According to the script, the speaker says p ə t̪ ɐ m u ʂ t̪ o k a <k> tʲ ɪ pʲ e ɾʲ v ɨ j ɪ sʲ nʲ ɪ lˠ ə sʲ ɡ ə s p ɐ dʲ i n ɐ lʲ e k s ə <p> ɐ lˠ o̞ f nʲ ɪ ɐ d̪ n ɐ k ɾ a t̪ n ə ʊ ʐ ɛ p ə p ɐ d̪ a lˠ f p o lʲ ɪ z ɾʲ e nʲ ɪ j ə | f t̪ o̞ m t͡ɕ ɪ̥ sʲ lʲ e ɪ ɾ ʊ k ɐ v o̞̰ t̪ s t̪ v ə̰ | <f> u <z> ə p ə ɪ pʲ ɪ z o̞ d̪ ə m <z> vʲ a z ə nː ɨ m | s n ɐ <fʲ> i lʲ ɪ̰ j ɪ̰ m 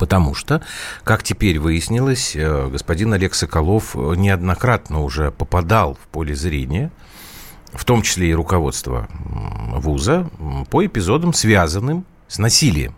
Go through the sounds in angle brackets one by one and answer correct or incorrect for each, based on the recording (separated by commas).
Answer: correct, incorrect, incorrect, correct, incorrect, incorrect